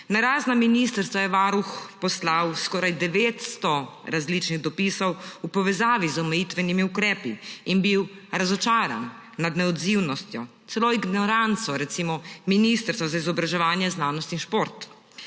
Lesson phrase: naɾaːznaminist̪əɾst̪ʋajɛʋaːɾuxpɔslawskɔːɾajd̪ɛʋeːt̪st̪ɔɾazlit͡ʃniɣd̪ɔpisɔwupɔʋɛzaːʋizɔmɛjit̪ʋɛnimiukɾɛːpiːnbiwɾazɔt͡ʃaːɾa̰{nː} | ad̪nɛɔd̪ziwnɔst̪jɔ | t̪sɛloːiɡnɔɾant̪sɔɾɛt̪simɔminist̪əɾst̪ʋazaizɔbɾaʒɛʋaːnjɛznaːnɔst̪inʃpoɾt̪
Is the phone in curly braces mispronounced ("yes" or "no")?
no